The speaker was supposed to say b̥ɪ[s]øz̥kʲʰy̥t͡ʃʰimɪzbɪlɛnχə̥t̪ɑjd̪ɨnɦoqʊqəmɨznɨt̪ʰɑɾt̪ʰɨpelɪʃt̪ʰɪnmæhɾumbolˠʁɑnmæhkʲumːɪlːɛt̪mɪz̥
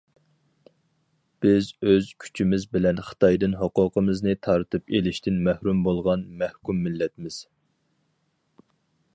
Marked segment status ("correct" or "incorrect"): incorrect